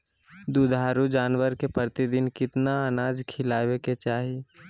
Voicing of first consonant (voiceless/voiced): voiced